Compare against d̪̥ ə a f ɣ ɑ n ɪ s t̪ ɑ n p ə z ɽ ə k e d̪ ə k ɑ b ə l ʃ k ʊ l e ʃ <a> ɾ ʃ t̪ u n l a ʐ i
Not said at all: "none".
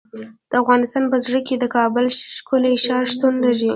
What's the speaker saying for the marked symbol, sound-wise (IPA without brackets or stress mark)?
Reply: ɑ